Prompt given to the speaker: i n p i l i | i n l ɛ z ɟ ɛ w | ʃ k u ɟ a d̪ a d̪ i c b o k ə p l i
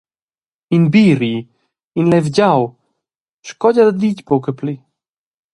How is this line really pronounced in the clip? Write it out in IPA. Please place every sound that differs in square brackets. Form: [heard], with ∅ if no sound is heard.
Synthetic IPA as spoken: i n [b] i [ɾ] i | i n l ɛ [v] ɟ [a] w | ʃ k [ɔ] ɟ a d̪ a d̪ i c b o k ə p l i